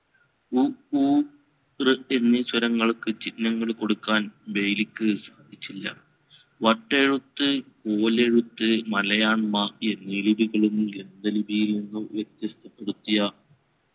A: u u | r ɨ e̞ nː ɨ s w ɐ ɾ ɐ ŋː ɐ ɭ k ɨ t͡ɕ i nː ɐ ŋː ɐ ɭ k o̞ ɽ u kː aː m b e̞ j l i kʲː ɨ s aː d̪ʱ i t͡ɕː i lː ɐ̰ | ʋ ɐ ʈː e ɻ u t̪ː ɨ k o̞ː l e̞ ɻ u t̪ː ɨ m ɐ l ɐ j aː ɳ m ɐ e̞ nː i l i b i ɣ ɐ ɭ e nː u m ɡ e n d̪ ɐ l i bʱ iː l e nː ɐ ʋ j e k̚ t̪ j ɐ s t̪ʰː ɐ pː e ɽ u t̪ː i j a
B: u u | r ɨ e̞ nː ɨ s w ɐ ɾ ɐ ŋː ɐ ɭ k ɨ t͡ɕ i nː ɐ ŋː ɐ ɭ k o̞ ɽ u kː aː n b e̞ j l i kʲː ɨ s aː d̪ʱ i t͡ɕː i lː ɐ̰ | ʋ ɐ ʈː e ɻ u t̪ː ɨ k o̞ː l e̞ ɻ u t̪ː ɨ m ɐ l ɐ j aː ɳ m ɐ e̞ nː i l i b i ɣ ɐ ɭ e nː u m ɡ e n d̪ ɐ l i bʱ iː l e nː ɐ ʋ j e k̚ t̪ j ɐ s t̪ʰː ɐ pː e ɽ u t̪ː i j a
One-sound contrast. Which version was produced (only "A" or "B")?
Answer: B